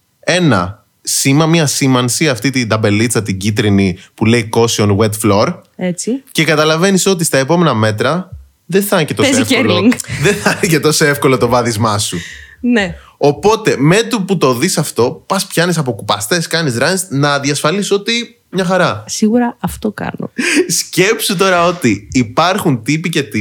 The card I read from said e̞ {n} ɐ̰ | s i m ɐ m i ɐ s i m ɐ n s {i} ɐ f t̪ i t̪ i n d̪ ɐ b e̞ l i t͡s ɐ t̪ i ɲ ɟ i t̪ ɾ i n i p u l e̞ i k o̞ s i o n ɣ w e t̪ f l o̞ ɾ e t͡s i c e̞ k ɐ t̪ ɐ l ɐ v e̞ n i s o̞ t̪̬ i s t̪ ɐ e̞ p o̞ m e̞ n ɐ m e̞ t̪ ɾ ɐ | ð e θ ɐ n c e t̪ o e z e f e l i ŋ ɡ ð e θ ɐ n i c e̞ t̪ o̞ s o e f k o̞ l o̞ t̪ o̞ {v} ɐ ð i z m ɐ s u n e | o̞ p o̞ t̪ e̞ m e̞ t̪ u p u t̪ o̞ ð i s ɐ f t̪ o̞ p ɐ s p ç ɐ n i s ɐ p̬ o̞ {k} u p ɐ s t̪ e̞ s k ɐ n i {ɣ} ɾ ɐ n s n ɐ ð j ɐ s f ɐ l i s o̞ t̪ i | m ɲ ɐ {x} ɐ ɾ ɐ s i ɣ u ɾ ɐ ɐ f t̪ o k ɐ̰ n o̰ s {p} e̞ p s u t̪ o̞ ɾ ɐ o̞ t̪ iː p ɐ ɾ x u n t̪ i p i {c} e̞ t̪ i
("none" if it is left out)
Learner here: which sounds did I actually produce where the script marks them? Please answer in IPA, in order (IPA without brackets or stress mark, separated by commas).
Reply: n, i, v, k, z, x, c, c